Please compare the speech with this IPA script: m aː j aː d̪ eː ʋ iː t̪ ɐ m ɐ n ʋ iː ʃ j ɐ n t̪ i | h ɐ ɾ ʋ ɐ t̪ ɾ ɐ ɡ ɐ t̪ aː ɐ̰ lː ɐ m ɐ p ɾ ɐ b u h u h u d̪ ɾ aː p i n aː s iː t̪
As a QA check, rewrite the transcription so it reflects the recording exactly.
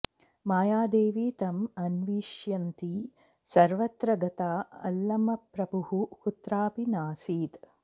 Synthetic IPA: m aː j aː d̪ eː ʋ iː t̪ ɐ m ɐ n ʋ iː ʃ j ɐ n t̪ i | s ɐ ɾ ʋ ɐ t̪ ɾ ɐ ɡ ɐ t̪ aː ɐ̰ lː ɐ m ɐ p ɾ ɐ b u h u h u t̪ ɾ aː p i n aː s iː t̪